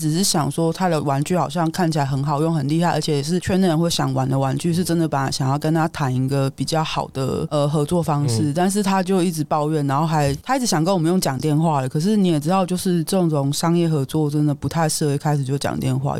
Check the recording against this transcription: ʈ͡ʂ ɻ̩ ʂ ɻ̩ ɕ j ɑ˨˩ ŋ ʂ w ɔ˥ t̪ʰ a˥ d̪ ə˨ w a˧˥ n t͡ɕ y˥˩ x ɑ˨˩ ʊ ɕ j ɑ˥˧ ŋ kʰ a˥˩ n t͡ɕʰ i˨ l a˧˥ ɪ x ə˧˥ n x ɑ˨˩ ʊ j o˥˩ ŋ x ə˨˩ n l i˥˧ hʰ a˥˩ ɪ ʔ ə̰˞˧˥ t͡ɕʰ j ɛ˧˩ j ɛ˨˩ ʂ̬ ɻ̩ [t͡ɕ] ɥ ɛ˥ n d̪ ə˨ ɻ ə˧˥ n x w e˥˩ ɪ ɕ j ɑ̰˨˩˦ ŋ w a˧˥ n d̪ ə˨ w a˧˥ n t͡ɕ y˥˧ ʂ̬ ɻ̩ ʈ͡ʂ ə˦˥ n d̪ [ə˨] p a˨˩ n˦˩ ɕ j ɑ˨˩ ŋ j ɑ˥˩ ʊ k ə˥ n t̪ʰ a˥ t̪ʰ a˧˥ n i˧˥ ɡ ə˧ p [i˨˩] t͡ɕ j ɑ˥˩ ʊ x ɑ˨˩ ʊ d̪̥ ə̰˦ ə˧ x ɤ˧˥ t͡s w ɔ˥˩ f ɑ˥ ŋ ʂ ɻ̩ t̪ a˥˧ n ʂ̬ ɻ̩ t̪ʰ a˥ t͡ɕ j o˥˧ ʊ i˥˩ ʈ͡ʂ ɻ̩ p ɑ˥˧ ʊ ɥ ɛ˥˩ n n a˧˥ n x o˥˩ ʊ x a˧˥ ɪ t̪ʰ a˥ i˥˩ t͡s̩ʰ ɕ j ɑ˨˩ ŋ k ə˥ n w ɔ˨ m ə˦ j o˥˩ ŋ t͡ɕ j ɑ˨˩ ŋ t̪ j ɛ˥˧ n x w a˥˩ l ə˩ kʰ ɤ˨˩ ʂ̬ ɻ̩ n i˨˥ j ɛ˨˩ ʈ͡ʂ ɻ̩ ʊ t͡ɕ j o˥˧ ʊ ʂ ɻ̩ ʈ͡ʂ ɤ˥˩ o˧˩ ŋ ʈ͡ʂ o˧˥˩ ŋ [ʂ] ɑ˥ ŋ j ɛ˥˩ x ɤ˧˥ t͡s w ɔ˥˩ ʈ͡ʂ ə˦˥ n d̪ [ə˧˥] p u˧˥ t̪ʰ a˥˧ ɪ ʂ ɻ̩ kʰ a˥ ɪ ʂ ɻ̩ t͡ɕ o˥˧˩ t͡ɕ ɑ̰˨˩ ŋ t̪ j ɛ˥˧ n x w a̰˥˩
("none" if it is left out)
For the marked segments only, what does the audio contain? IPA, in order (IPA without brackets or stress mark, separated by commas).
t͡ɕʰ, ə˨, i˨˩, ʂ, ə˨